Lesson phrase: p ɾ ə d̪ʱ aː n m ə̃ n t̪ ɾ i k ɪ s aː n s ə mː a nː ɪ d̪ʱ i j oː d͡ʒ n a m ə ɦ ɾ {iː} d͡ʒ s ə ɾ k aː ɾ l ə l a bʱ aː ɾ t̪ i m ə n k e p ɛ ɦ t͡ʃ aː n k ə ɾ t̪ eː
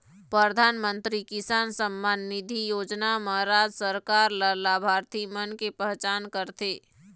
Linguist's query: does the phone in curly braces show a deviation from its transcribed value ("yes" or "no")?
yes